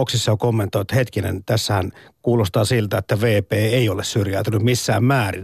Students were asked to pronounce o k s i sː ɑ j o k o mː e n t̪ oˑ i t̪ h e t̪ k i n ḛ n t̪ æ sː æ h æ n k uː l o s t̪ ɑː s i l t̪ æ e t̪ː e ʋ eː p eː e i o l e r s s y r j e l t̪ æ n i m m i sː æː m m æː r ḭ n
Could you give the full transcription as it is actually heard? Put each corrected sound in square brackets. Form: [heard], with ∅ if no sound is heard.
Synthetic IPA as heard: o k s i sː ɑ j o k o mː e n t̪ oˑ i t̪ h e t̪ k i n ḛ n t̪ æ sː æ h æ n k uː l o s t̪ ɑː s i l t̪ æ e t̪ː [æ] ʋ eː p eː e i o l e [∅] s s y r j [æ] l t̪ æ n [y] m m i sː æː m m æː r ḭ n